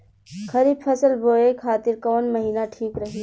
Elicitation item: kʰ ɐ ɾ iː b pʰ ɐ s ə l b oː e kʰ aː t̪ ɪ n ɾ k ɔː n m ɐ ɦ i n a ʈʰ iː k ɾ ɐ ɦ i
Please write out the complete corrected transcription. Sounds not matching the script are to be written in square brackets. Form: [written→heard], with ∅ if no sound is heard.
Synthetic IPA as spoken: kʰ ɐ ɾ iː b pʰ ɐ s ə l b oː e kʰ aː t̪ ɪ [n→∅] ɾ k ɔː n m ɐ ɦ [i→iː] n a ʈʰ iː k ɾ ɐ ɦ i